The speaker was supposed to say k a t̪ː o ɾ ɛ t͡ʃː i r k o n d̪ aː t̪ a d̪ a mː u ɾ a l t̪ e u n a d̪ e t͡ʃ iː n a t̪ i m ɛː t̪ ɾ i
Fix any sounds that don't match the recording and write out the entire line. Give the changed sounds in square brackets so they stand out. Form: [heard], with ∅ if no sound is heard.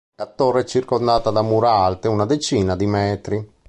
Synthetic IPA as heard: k a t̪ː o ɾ ɛ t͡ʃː i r k o n d̪ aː t̪ a d̪ a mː u ɾ a l t̪ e u n a d̪ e t͡ʃ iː n a [d̪] i m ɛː t̪ ɾ i